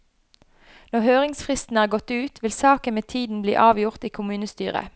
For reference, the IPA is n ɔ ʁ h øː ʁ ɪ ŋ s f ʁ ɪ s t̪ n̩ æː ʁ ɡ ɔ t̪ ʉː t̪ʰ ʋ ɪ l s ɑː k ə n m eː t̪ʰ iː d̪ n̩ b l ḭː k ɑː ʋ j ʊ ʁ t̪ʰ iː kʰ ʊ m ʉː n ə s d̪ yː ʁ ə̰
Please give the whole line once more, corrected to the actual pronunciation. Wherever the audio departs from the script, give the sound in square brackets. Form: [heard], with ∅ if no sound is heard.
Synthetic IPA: n ɔ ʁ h øː ʁ ɪ ŋ s f ʁ ɪ s t̪ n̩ æː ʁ ɡ ɔ t̪ ʉː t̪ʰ ʋ ɪ l s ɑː k ə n m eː t̪ʰ iː d̪ n̩ b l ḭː [ʔ] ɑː ʋ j ʊ ʁ [t̪] iː kʰ ʊ m ʉː n ə s [t̪] yː ʁ ə̰